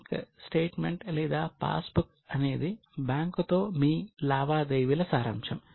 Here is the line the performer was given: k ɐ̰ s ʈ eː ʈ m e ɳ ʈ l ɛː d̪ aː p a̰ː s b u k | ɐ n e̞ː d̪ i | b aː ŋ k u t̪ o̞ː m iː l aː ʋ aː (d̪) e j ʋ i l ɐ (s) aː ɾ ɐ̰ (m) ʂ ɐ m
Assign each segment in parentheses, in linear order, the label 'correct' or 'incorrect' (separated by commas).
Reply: correct, correct, correct